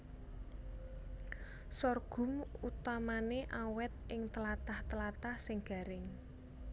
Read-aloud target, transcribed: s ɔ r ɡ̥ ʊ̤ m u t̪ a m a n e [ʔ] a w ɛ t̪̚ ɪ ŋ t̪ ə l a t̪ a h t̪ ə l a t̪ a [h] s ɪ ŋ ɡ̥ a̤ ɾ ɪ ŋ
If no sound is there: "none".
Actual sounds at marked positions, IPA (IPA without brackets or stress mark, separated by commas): ʔ, h